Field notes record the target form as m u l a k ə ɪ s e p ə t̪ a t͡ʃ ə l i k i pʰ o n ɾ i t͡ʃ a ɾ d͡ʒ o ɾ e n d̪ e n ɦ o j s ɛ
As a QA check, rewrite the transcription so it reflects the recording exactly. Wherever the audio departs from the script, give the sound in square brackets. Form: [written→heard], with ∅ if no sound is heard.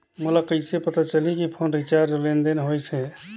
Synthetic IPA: m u l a k ə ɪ s e p ə t̪ a t͡ʃ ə l i k i pʰ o n ɾ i t͡ʃ a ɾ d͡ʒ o [ɾ→l] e n d̪ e n ɦ o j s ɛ